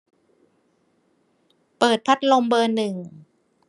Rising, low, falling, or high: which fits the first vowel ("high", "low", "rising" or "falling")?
low